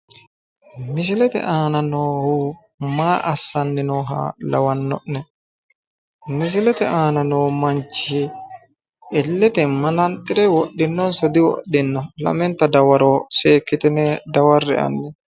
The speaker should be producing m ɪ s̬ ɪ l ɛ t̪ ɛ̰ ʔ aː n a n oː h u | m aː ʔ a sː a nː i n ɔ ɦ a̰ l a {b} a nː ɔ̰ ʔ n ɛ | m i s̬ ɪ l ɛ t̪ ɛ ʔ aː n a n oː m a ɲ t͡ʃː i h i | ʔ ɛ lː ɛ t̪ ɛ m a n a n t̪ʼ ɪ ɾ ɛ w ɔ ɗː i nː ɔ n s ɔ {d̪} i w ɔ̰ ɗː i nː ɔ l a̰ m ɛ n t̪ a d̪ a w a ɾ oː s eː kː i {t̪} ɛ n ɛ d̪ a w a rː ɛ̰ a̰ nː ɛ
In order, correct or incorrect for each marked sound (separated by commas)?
incorrect, correct, correct